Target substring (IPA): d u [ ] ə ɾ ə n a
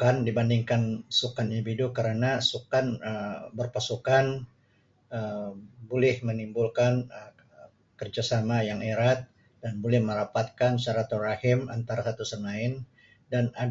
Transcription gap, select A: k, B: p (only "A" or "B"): A